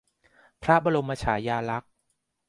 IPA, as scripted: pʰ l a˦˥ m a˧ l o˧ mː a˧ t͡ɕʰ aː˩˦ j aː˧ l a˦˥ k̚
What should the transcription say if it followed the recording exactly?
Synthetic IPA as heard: pʰ ɾ a˦˥ b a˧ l o˧ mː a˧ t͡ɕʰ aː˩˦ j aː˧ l a˦˥ k̚